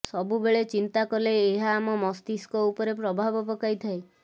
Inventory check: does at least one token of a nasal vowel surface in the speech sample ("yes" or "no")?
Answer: no